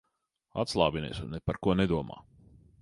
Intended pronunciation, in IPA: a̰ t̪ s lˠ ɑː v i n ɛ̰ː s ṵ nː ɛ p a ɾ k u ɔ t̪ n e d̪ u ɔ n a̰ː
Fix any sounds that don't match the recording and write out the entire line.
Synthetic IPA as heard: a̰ t̪ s lˠ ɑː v i n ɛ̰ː s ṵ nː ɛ p a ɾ k u ɔ n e d̪ u ɔ m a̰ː